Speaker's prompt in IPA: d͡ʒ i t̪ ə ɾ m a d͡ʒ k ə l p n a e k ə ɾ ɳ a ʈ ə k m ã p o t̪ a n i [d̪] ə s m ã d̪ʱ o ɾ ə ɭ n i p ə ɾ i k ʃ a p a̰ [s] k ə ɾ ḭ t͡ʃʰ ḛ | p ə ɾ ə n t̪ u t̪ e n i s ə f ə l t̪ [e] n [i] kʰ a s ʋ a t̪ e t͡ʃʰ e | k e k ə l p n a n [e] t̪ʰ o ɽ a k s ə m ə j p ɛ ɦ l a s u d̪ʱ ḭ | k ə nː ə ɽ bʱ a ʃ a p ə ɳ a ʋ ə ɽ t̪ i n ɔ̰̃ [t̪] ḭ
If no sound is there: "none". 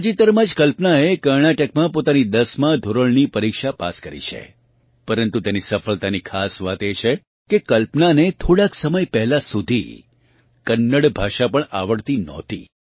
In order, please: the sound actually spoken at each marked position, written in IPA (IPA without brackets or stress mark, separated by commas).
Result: d̪, s, a, i, e, t̪